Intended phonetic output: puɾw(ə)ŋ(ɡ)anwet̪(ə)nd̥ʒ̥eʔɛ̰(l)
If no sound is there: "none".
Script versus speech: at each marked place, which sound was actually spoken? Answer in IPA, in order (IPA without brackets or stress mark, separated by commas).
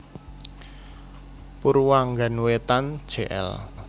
a, ɡ, a, l